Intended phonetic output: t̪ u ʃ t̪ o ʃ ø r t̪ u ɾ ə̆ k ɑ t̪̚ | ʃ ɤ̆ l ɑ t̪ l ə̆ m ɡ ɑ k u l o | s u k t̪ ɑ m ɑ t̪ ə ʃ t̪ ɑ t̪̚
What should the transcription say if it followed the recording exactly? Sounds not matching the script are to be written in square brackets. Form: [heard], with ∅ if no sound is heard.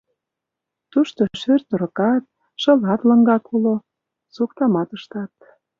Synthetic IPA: t̪ u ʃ t̪ o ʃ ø r t̪ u ɾ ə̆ k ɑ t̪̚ | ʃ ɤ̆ l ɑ t̪ l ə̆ [ŋ] ɡ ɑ k u l o | s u k t̪ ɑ m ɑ t̪ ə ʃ t̪ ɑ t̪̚